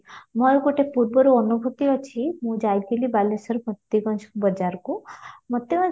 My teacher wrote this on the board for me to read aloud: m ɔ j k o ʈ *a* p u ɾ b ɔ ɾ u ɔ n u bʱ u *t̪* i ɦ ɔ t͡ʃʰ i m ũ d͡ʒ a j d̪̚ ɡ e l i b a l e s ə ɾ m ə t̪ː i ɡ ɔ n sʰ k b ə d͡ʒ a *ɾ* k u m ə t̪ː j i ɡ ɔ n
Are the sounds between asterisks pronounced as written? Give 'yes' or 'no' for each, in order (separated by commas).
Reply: no, yes, yes